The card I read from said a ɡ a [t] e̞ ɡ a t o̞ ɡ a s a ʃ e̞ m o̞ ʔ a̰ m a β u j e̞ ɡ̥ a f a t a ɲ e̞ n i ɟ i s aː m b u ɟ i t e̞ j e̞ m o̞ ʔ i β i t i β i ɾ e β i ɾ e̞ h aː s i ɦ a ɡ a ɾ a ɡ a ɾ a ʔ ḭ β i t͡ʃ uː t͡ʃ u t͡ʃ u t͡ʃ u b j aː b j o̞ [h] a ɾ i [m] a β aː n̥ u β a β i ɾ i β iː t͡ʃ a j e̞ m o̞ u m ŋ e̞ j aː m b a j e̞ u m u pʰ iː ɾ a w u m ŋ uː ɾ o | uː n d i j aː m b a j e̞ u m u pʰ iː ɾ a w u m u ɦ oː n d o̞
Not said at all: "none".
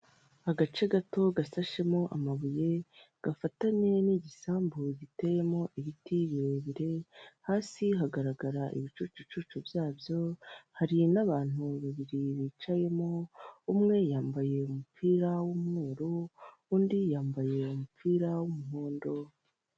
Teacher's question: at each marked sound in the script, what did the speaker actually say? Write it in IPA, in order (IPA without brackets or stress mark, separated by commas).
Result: t͡ʃ, h, n